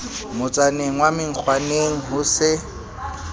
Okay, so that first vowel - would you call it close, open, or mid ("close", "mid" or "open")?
close